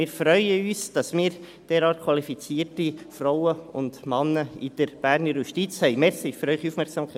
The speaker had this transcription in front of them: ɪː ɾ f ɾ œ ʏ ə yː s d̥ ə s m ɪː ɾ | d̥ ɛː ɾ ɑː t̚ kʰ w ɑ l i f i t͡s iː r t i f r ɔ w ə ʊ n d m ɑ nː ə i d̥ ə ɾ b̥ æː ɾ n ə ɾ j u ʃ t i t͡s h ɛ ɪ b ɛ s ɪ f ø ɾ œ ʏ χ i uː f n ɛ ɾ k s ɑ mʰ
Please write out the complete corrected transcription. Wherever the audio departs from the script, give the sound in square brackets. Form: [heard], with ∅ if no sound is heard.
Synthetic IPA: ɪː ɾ f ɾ œ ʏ ə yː s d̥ [ɑ] s m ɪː ɾ | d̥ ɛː ɾ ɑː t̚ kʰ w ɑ l i f i t͡s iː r t i f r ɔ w ə ʊ n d m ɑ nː ə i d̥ ə ɾ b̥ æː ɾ n ə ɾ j u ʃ t i t͡s h ɛ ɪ [m] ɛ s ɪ f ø ɾ œ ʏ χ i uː f [m] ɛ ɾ k s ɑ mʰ